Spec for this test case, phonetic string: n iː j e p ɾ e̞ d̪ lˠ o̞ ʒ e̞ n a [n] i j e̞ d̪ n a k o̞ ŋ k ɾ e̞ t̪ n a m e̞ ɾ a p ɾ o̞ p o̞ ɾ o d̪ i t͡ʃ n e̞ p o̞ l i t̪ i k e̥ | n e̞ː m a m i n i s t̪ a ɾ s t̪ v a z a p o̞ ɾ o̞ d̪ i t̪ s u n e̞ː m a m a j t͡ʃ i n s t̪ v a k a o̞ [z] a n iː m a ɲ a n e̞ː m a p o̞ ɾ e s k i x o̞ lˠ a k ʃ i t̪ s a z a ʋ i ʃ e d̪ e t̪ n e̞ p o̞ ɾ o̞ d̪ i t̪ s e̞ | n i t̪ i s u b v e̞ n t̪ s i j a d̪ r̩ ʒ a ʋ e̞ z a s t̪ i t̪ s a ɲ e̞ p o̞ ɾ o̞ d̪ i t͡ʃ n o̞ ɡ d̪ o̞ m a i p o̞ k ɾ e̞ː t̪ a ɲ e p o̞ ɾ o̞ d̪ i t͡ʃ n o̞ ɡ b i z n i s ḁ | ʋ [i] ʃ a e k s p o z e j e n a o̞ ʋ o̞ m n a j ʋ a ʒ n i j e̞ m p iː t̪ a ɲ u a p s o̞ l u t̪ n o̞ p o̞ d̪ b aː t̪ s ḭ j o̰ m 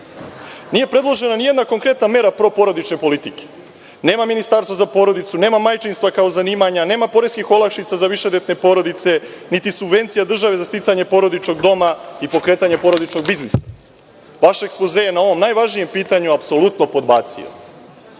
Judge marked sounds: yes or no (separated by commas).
yes, yes, no